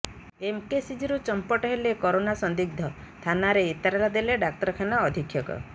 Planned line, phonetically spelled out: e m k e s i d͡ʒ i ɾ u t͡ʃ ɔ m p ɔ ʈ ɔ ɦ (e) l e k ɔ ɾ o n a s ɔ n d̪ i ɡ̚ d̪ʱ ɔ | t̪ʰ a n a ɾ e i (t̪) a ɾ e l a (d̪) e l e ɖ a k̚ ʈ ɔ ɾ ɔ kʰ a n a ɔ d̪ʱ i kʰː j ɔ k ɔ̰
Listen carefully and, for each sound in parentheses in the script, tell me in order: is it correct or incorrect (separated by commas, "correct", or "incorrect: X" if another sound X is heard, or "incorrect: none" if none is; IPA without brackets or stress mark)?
correct, correct, correct